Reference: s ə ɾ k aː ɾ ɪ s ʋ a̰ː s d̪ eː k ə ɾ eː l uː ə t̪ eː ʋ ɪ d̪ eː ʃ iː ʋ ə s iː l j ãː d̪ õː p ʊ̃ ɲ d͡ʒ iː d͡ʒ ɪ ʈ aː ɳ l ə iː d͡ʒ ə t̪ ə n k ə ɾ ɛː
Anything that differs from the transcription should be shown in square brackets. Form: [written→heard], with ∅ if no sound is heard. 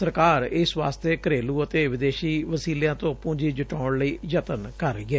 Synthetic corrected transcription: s ə ɾ k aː ɾ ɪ s ʋ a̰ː s [d̪→t̪] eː k ə ɾ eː l uː ə t̪ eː ʋ ɪ d̪ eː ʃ iː ʋ ə s iː l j ãː [d̪→t̪] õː p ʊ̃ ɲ d͡ʒ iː d͡ʒ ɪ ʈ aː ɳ l ə iː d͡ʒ ə t̪ ə n k ə ɾ ɛː